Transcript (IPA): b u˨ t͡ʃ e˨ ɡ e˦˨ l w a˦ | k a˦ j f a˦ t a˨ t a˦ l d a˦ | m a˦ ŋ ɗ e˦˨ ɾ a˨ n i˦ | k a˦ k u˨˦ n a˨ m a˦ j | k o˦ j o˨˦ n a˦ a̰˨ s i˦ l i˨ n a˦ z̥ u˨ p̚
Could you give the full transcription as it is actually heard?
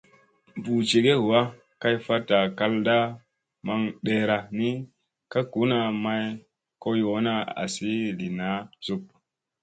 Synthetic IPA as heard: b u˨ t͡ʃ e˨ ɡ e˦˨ w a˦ | k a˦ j f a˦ t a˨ k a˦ l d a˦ | m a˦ ŋ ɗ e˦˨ ɾ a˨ n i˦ | k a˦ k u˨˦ n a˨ m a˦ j | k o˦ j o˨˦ n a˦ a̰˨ s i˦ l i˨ n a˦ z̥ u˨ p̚